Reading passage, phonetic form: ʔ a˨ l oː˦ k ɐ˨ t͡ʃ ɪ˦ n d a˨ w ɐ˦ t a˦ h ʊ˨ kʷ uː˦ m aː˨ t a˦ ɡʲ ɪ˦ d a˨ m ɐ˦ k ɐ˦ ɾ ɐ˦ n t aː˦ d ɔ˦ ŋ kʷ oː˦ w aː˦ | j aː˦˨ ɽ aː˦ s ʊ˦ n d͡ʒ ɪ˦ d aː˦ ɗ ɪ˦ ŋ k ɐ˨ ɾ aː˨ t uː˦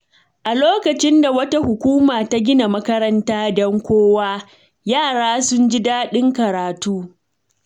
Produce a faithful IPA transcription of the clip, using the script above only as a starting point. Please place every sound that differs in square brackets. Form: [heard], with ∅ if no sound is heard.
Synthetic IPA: ʔ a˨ l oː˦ k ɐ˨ t͡ʃ ɪ˦ n d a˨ w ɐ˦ t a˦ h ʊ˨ kʷ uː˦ m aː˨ t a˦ ɡʲ ɪ˦ [n] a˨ m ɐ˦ k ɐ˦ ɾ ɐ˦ n t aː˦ d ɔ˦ ŋ kʷ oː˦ w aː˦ | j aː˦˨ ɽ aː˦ s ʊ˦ n d͡ʒ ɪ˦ d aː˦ ɗ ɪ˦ ŋ k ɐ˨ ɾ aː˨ t uː˦